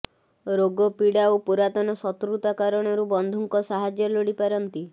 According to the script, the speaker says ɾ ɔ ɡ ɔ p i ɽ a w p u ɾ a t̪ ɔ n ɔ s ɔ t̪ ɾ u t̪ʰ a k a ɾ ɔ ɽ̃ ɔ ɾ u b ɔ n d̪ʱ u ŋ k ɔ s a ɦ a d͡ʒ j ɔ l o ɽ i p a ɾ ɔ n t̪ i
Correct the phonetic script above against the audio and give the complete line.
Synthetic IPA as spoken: ɾ o ɡ ɔ p i ɽ a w p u ɾ a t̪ ɔ n ɔ s ɔ t̪ ɾ u t̪ a k a ɾ ɔ ɽ̃ ɔ ɾ u b ɔ n d̪ʱ u ŋ k ɔ s a ɦ a d͡ʒ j ɔ l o ɽ i p a ɾ ɔ n t̪ i